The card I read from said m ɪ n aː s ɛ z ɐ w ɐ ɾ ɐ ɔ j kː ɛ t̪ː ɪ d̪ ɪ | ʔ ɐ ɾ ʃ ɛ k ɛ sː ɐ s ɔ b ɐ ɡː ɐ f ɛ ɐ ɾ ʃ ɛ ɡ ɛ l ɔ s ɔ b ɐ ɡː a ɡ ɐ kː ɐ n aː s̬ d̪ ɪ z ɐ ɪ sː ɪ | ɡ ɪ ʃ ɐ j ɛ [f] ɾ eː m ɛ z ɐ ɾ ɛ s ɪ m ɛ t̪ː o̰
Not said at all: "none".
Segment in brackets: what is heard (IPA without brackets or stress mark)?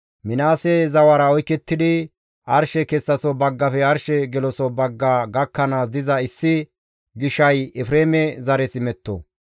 f